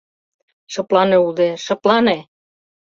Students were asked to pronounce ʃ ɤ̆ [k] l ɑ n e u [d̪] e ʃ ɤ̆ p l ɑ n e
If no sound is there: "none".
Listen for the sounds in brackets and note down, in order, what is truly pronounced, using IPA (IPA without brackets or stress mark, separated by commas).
p, d̪